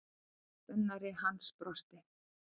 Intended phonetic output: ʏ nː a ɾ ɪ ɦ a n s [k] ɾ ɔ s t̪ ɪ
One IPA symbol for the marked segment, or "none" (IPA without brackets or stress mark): p